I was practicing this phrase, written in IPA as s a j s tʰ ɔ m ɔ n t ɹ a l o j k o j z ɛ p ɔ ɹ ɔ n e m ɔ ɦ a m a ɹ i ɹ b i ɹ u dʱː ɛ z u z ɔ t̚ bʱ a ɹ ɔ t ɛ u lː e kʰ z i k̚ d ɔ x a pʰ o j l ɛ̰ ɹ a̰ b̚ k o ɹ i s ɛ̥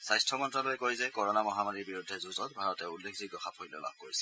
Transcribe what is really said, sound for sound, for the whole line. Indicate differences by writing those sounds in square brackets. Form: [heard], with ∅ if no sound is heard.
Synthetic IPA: s a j s tʰ ɔ m ɔ n t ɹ a l o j k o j z ɛ [k] ɔ ɹ ɔ n [a] m ɔ ɦ a m a ɹ i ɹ b i ɹ u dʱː ɛ z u z ɔ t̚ bʱ a ɹ ɔ t ɛ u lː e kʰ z i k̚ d ɔ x a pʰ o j l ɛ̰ [l] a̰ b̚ k o ɹ i s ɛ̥